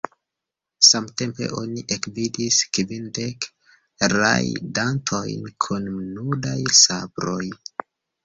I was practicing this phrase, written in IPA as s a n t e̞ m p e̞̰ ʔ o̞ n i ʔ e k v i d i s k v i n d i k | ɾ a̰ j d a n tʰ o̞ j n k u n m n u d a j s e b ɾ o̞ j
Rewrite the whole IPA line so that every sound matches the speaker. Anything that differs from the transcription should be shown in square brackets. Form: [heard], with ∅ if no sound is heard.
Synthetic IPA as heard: s a [m] t e̞ m p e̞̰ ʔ o̞ n i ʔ e k v i d i s k v i n d [e] k | ɾ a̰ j d a n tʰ o̞ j n [kʰ] u n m n u d a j s [a] b ɾ o̞ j